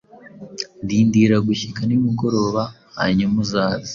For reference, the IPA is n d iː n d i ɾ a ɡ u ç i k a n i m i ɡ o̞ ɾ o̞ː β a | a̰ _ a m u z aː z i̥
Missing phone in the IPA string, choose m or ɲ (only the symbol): ɲ